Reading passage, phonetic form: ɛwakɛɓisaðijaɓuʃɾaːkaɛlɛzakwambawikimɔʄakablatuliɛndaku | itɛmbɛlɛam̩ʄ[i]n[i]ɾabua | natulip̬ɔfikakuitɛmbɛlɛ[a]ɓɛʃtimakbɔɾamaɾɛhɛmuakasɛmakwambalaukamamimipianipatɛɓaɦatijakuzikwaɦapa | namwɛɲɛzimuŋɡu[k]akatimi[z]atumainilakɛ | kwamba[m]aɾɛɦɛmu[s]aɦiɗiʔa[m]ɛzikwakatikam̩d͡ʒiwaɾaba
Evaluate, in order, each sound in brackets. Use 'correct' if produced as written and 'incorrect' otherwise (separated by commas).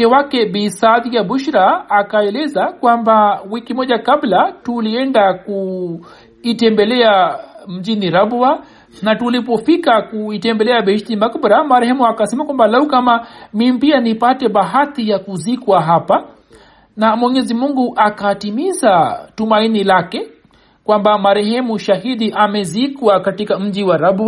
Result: correct, correct, correct, incorrect, correct, correct, incorrect, correct